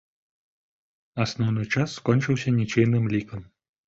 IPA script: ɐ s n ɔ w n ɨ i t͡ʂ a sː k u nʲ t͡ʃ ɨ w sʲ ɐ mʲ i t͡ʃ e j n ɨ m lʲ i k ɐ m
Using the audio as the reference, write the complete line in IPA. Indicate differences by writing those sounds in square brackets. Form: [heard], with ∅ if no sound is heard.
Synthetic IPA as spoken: ɐ s n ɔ w n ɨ [j] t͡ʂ a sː k [ɔ] nʲ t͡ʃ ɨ w sʲ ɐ [nʲ] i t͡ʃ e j n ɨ m lʲ i k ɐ m

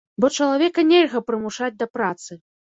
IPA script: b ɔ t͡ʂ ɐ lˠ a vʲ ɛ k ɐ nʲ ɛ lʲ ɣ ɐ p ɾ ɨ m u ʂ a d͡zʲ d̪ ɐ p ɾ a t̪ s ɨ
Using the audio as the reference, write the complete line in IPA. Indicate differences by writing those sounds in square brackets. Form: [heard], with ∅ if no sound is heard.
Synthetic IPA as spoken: b ɔ t͡ʂ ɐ lˠ a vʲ ɛ k ɐ nʲ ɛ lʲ ɣ ɐ p ɾ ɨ m u ʂ a d͡zʲ d̪ ɐ p ɾ a t̪ s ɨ

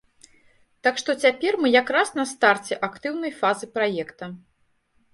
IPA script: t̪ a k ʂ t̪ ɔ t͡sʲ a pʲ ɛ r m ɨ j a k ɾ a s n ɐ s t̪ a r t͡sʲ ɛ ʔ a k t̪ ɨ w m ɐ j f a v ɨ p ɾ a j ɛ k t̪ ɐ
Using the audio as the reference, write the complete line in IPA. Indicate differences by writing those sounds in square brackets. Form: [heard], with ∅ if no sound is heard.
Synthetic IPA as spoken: t̪ a k ʂ t̪ ɔ t͡sʲ a pʲ ɛ r m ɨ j a k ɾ a s n ɐ s t̪ a r t͡sʲ ɛ ʔ a k t̪ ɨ w [n] ɐ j f a [z] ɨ p ɾ a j ɛ k t̪ ɐ

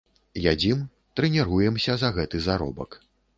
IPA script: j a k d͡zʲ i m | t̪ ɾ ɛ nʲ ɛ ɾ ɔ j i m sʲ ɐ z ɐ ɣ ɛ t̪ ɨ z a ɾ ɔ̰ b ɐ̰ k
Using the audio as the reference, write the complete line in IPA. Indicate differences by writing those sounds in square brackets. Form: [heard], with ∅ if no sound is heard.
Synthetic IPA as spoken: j a [∅] d͡zʲ i m | t̪ ɾ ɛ nʲ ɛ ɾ [u] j [ɛ] m sʲ ɐ z ɐ ɣ ɛ t̪ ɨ z a ɾ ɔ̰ b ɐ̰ k

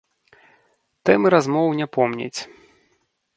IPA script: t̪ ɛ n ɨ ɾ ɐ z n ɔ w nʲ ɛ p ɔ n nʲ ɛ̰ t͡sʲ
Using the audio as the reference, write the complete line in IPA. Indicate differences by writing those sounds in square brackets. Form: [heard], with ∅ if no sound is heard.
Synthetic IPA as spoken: t̪ ɛ [m] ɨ ɾ [a] z [m] ɔ w nʲ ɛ p ɔ [m] nʲ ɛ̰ t͡sʲ

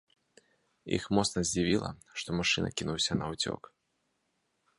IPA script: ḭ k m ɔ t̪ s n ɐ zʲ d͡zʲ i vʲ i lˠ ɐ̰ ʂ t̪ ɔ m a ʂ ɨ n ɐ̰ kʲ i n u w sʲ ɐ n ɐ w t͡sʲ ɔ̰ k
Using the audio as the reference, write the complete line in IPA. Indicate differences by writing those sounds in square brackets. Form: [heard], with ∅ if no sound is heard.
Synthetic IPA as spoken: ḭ [x] m ɔ t̪ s n ɐ zʲ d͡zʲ i vʲ i lˠ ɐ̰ ʂ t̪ ɔ m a ʂ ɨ n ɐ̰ kʲ i n u w sʲ ɐ n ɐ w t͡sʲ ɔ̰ k

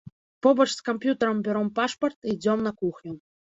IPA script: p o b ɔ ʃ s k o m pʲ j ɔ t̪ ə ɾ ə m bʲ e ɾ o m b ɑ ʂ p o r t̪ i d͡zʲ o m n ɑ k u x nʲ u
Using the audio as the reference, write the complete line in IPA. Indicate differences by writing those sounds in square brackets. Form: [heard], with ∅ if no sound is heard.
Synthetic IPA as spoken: p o b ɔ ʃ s k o m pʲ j [u] t̪ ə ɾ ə m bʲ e ɾ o m [p] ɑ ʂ p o r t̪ i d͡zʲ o m n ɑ k u x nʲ u

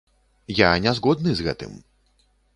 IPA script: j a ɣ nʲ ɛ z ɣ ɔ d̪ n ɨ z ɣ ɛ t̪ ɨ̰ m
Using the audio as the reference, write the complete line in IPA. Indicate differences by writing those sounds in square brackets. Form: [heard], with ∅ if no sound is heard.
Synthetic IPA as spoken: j a [∅] nʲ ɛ z ɣ ɔ d̪ n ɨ z ɣ ɛ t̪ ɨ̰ m

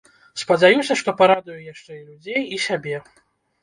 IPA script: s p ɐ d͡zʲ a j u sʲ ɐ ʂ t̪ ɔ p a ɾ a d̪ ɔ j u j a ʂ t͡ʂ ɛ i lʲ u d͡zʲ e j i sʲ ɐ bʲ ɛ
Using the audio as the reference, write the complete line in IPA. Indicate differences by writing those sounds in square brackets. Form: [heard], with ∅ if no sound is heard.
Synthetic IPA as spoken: s p ɐ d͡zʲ a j u sʲ ɐ ʂ t̪ ɔ p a ɾ a d̪ [u] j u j a ʂ t͡ʂ ɛ i lʲ u d͡zʲ e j i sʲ [a] bʲ ɛ

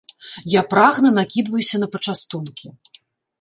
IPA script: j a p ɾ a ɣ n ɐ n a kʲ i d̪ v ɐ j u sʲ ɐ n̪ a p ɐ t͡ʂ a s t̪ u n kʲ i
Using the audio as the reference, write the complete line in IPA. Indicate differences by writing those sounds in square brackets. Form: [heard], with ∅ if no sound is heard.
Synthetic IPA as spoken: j a p ɾ a ɣ n ɐ n a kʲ i d̪ v ɐ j u sʲ ɐ n̪ [ɐ] p ɐ t͡ʂ a s t̪ u n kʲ i

